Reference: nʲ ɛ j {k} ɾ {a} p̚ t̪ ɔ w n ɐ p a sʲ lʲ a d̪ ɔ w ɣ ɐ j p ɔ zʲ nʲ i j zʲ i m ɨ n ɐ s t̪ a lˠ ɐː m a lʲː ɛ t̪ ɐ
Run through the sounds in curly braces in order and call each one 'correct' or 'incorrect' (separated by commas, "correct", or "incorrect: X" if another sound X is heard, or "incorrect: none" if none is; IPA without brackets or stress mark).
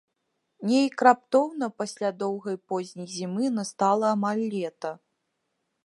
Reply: correct, correct